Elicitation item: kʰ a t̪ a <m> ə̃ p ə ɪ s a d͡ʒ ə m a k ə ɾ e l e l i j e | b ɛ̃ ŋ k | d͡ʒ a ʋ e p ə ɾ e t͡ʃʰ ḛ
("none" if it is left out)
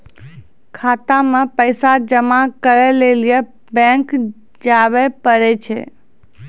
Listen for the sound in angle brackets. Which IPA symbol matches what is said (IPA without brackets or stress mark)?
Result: m